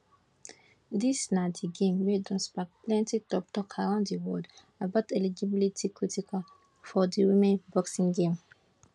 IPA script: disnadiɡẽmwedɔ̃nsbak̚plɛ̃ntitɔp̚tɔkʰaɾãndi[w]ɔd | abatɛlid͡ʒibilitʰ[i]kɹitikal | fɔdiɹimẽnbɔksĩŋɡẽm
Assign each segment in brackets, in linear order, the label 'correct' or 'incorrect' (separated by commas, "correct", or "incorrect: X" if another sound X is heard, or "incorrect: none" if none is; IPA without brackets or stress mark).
correct, correct